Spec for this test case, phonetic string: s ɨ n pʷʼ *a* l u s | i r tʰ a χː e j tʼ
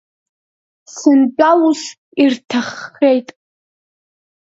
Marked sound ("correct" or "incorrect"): correct